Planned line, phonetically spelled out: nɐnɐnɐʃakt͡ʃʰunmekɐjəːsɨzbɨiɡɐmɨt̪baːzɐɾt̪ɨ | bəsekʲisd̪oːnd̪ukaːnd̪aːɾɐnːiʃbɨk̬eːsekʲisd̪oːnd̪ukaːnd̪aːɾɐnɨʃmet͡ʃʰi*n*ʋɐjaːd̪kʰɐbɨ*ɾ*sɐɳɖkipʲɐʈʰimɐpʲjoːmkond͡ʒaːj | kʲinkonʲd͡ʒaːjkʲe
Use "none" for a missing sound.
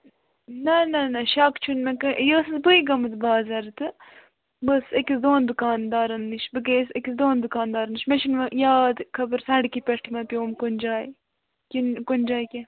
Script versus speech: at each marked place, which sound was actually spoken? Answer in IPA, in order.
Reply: n, ɾ

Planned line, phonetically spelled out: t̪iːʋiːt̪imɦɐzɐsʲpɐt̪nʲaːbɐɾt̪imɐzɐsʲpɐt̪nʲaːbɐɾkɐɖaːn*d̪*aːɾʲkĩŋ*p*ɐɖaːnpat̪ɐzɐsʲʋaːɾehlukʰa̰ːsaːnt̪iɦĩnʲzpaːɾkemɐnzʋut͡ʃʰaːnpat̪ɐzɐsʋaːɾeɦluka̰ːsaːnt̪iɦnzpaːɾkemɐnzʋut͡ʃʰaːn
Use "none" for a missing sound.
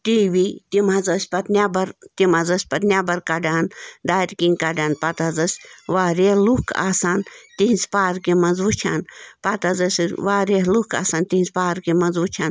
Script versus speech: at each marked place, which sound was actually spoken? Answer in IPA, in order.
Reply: d̪, k

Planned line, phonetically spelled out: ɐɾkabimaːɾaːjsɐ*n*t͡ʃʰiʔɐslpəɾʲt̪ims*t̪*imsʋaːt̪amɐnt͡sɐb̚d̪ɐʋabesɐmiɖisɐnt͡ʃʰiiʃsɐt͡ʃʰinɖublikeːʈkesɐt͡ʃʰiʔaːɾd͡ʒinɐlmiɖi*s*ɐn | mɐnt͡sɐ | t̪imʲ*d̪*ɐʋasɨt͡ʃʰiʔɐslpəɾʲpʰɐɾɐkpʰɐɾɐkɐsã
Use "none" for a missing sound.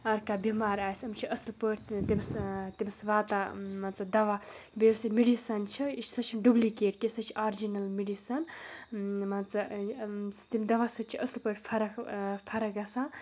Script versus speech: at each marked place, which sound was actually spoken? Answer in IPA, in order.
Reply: m, t̪, s, d̪

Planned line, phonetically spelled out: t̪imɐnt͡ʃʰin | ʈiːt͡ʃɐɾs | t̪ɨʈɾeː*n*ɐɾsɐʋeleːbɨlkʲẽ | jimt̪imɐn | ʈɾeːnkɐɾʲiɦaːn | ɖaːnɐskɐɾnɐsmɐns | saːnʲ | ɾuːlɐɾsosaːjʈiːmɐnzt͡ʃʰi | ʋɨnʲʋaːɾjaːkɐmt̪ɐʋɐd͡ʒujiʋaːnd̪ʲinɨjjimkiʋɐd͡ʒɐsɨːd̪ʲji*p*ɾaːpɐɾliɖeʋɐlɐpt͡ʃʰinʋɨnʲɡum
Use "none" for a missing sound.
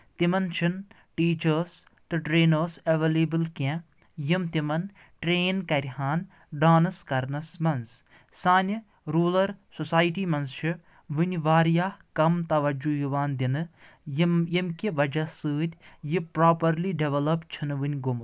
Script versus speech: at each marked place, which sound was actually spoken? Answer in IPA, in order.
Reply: n, p

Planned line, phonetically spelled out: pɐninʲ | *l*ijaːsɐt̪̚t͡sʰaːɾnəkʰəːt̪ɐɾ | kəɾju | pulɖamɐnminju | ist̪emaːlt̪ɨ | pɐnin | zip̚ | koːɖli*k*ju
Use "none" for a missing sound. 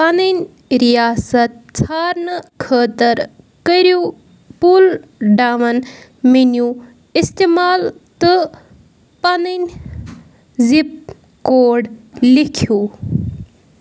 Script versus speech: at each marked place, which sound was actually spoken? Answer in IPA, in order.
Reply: ɾ, kʰ

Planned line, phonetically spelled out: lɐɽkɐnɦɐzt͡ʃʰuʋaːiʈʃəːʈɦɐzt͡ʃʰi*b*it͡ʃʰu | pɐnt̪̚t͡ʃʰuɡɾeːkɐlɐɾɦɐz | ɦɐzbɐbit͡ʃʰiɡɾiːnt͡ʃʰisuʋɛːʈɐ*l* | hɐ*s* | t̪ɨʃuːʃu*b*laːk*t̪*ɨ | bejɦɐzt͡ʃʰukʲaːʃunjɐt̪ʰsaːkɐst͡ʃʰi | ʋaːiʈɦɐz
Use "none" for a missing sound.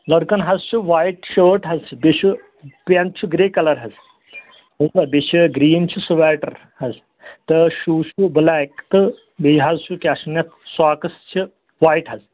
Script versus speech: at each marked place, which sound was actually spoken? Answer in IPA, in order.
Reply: b, ɾ, z, b, t̪

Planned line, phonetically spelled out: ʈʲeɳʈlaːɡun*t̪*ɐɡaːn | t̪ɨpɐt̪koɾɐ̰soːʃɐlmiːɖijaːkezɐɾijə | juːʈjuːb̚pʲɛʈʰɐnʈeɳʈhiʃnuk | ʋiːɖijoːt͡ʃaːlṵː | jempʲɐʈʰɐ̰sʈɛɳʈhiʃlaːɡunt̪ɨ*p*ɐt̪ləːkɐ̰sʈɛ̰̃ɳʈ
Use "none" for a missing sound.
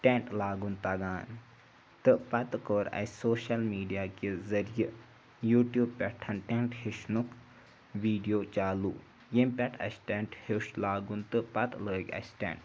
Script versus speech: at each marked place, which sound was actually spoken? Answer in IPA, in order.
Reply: t̪, p

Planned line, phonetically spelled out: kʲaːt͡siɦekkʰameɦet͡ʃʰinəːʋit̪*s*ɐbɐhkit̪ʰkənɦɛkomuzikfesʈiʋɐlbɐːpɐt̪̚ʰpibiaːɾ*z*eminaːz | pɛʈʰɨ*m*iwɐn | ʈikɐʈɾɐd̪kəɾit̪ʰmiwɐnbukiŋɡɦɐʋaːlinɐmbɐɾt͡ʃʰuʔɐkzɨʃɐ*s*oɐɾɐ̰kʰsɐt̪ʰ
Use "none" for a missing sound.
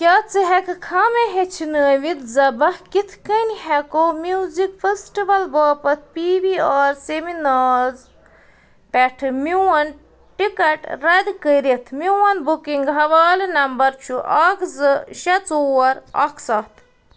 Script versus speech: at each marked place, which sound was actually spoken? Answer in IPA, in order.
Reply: z, s, m, t͡s

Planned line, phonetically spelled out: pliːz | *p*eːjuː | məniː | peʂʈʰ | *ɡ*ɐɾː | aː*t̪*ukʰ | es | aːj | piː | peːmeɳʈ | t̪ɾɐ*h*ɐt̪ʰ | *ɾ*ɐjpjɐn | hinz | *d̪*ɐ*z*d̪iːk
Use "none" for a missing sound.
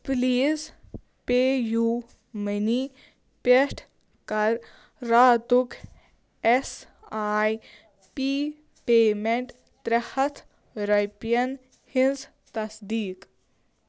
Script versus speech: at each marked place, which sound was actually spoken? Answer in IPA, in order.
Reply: p, k, t̪, h, ɾ, t̪, s

